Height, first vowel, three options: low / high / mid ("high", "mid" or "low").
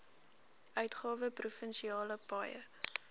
mid